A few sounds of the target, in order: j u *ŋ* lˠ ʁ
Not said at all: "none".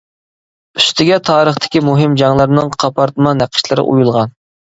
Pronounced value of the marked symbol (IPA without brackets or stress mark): none